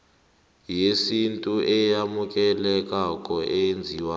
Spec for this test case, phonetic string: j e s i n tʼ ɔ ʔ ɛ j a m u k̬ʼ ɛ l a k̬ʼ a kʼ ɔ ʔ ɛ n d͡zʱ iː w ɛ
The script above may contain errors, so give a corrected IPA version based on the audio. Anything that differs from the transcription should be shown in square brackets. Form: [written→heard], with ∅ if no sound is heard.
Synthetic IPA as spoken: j e s i n tʼ [ɔ→u] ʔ ɛ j a m u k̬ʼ ɛ l [a→ɛ] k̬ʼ a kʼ ɔ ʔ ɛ n d͡zʱ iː w [ɛ→a]

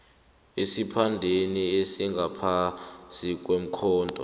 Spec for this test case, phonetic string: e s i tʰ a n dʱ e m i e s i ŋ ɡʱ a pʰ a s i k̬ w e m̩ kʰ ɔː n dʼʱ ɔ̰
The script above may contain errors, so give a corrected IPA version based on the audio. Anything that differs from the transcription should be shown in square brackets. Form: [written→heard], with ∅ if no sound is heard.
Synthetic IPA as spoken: e s i [tʰ→pʰ] a n dʱ e [m→n] i e s i ŋ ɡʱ a pʰ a s i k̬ w e m̩ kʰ ɔː n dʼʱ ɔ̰

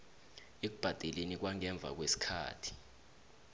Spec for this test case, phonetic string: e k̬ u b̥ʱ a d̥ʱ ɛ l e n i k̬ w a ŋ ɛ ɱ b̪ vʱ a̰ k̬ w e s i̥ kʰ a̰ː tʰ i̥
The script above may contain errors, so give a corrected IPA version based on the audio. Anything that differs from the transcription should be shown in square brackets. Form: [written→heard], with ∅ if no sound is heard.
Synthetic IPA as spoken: e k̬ u b̥ʱ a d̥ʱ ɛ l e n i k̬ w a ŋ ɛ ɱ b̪ vʱ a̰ k̬ w e s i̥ kʰ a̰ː tʰ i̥

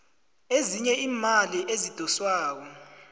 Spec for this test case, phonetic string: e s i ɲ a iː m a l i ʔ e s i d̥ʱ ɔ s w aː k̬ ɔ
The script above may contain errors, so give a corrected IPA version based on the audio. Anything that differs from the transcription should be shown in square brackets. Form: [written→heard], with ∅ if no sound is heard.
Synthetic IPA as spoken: e [s→z] i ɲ [a→ɛ] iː m a l i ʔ e [s→z] i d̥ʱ ɔ s w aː k̬ ɔ

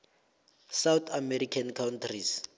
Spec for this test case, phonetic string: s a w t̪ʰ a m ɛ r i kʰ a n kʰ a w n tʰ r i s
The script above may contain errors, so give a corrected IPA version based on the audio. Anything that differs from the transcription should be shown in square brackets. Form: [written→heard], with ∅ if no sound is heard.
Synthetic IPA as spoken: s a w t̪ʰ a m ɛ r i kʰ a n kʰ a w n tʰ r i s

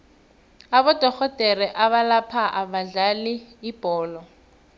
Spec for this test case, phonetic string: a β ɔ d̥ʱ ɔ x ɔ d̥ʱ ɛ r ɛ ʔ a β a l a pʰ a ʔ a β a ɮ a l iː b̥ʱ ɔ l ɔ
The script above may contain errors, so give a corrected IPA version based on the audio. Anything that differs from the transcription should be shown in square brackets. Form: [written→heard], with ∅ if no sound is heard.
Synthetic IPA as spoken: a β ɔ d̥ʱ ɔ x ɔ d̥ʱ ɛ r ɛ ʔ a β a l a pʰ a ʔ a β a ɮ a l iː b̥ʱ [ɔ→ɔː] l ɔ

